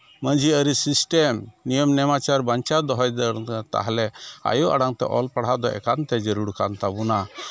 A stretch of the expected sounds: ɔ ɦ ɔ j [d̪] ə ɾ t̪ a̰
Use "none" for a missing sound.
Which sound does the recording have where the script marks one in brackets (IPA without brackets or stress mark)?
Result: d̪